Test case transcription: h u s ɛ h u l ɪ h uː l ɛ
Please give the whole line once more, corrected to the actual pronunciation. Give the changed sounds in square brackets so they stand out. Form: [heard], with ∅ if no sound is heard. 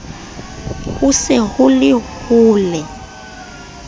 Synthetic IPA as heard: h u s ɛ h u l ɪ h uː l ɛ

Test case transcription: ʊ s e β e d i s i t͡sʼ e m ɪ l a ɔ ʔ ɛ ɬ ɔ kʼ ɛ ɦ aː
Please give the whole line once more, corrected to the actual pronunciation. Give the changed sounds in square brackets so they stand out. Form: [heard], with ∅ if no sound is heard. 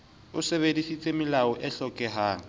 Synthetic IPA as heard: ʊ s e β e d i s i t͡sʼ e m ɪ l a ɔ ʔ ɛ ɬ ɔ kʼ ɛ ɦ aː

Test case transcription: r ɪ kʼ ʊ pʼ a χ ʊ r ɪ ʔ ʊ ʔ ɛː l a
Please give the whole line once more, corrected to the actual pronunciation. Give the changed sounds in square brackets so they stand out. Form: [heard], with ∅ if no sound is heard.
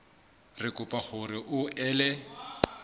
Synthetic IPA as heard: r ɪ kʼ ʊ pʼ a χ ʊ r ɪ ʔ ʊ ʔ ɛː l [ɛ]

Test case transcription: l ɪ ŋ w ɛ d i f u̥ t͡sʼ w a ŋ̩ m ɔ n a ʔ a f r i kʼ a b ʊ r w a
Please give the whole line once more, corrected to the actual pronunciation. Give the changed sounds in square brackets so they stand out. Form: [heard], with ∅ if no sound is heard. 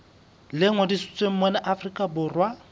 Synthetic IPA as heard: l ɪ ŋ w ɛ d i [s] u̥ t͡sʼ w [e] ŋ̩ m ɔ n a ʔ a f r i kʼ a b ʊ r w a

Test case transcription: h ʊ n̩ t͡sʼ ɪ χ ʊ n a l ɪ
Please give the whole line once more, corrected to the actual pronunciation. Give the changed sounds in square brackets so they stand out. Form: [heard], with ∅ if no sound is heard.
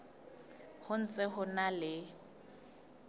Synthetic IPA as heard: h ʊ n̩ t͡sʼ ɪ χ ʊ n a l ɪ

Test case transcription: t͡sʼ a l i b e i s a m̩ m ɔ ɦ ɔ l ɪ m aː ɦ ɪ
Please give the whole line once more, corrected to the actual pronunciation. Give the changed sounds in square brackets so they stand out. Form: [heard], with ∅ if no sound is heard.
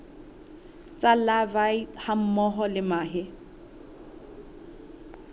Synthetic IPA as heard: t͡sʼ a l [a] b [a] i [h] a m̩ m ɔ ɦ ɔ l ɪ m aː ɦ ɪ

